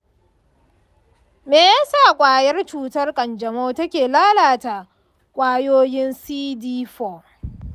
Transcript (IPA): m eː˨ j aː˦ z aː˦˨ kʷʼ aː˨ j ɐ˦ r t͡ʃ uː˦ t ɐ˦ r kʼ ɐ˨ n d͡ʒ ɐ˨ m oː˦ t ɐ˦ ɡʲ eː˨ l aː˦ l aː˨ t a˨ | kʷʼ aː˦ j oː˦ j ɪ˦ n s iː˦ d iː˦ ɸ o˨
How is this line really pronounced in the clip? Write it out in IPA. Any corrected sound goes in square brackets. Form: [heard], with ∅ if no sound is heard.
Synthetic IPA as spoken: m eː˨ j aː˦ [s] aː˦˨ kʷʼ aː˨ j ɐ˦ r t͡ʃ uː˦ t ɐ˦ r kʼ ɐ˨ n d͡ʒ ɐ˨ m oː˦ t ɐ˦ [kʲ] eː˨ l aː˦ l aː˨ t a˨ | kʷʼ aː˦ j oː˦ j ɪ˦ n s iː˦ d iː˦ ɸ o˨